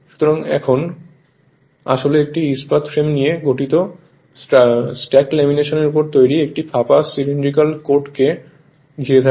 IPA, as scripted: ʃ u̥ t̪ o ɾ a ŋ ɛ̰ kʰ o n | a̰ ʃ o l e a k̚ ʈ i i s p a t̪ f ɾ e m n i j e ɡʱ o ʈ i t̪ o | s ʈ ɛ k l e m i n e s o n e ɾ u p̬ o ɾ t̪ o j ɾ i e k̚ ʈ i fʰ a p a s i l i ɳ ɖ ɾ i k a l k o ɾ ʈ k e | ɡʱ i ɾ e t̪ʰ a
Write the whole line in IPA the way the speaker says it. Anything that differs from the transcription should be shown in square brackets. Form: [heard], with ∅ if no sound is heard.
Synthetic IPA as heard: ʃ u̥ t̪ o ɾ a ŋ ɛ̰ kʰ o n | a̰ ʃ o l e [e] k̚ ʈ i i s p a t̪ f ɾ e m n i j e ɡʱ o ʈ i t̪ o | s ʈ ɛ k l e m i n e [ʃ] o n e ɾ u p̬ o ɾ t̪ o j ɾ i e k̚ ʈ i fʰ a p a s i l i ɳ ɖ ɾ i k a l k o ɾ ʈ k e | ɡʱ i ɾ e t̪ʰ a